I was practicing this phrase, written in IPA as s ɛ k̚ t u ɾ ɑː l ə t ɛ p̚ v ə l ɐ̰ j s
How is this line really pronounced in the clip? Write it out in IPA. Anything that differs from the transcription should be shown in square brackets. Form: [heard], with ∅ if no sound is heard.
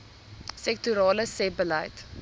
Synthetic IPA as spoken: s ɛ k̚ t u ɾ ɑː l ə [s] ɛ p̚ [b] ə l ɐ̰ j [t]